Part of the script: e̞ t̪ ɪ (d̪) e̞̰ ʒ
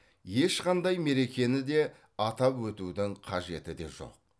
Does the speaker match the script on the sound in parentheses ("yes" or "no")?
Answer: yes